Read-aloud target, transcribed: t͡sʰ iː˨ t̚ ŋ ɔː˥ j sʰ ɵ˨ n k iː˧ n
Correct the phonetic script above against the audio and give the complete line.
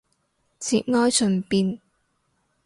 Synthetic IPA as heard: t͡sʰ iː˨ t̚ ŋ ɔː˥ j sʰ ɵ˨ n p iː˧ n